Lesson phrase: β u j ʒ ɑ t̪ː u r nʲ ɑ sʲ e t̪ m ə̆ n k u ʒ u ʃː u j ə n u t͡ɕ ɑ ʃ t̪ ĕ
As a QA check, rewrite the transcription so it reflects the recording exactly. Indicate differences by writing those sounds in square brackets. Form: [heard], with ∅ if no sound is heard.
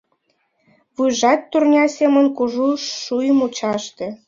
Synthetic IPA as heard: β u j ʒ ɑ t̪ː u r nʲ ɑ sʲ e [∅] m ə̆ n k u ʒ u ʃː u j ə [m] u t͡ɕ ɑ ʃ t̪ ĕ